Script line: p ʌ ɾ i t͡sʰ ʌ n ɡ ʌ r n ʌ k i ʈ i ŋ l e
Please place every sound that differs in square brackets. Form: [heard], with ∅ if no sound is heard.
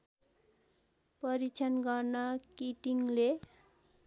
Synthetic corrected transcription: p ʌ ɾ i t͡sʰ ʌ n ɡ ʌ r n ʌ k i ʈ i ŋ l e